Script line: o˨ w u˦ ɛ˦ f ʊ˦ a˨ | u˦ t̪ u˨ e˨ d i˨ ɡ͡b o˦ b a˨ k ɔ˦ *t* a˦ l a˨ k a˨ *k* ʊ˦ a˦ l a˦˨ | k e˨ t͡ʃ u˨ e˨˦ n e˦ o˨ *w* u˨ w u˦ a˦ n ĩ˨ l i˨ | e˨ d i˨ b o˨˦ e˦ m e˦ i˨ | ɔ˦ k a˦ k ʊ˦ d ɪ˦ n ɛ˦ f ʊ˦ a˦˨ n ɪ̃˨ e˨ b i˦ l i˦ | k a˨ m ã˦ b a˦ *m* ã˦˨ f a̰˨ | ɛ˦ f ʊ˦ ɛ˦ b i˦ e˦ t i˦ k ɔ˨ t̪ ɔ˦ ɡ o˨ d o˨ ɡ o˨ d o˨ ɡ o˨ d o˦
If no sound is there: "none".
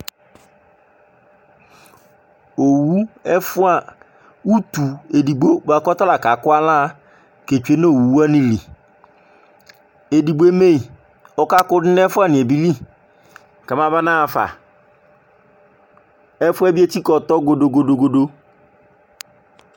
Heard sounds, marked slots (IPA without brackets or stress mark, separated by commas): t, k, w, n